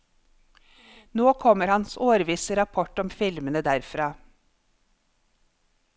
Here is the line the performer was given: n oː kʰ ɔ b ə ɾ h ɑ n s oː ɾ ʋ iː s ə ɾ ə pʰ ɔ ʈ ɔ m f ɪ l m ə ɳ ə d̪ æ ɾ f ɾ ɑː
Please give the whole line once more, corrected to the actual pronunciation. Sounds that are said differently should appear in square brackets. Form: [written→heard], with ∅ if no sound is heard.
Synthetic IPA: n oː kʰ ɔ [b→m] ə ɾ h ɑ n s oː ɾ ʋ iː s ə ɾ [ə→ɑ] pʰ ɔ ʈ ɔ m f ɪ l m ə [ɳ→n] ə d̪ æ ɾ f ɾ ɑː